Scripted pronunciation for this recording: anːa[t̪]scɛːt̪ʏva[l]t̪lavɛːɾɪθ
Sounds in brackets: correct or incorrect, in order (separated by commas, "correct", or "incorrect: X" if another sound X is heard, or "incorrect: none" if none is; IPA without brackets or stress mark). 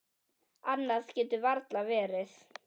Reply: incorrect: none, incorrect: ɾ